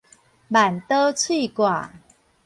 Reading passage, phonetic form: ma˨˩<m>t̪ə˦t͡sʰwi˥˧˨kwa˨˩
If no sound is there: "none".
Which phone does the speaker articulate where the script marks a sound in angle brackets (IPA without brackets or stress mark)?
n